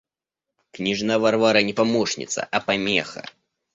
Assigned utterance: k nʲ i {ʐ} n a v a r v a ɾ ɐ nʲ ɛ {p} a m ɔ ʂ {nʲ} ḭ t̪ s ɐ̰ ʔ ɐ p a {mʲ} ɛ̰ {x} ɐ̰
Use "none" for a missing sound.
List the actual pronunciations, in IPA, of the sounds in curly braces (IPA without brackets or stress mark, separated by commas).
ʐ, p, nʲ, mʲ, x